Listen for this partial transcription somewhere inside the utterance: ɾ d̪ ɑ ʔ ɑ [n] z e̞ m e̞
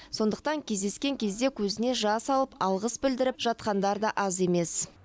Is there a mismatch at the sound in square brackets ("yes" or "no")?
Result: yes